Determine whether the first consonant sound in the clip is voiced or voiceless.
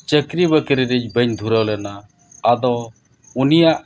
voiceless